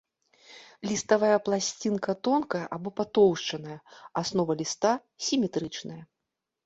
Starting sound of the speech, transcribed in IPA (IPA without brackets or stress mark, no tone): lʲ